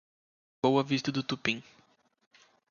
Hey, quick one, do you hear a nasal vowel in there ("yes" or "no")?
yes